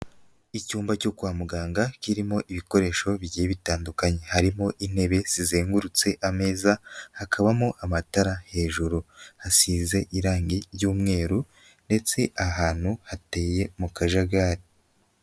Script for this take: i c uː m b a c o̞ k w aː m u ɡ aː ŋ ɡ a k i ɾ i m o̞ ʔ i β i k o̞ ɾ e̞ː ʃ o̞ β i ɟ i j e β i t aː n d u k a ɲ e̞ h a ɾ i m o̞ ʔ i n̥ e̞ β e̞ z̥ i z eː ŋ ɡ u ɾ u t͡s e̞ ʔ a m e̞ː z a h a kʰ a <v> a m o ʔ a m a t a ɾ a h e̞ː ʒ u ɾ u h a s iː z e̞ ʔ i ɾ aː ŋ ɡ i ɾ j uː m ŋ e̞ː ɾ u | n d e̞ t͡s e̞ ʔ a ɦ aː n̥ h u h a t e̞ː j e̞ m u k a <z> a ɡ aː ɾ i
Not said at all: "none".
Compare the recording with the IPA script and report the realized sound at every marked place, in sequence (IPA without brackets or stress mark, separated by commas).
β, ʒ